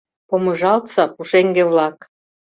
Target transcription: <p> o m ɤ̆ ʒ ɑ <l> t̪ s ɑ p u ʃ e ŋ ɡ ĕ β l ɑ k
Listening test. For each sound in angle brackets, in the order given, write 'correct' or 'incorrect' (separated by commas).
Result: correct, correct